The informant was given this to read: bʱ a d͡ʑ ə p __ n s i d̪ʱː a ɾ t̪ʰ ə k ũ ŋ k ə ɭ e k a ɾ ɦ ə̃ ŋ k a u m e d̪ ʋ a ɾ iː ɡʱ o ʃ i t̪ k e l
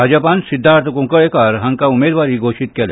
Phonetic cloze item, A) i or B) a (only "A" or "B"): B